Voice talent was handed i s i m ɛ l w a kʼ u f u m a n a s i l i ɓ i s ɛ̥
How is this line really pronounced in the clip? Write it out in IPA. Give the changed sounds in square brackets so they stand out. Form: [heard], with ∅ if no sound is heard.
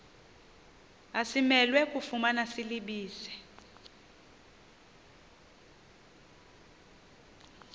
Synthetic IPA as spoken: [a] s i m ɛ l w [ɛ] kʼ u f u m a n a s i l i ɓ [iː] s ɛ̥